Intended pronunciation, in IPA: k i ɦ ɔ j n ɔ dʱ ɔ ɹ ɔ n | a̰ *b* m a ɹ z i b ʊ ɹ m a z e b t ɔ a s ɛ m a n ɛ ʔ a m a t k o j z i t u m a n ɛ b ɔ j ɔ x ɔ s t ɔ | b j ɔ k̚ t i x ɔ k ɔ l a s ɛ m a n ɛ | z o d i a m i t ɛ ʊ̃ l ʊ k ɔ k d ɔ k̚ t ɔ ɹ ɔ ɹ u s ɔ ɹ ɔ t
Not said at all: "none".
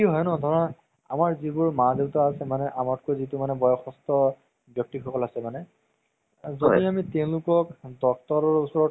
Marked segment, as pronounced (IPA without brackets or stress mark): none